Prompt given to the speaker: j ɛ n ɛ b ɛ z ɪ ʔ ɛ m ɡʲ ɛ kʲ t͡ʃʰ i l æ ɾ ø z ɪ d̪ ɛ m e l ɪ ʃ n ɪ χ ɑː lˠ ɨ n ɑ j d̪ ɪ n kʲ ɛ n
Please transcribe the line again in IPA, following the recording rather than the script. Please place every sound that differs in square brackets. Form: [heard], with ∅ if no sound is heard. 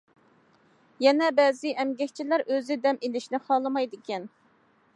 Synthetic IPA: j ɛ n ɛ b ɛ z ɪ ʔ ɛ m ɡʲ ɛ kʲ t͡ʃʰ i l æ ɾ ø z ɪ d̪ ɛ m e l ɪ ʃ n ɪ χ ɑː lˠ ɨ [m] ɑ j d̪ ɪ [∅] kʲ ɛ n